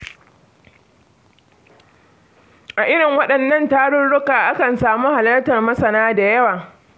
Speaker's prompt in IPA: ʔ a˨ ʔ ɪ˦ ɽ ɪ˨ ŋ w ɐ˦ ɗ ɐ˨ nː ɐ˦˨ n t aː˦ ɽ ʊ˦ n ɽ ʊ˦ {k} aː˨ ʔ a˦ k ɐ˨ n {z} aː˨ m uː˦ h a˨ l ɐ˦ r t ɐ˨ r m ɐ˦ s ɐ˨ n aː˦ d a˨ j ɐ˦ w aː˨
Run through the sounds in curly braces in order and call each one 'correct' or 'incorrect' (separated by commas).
correct, incorrect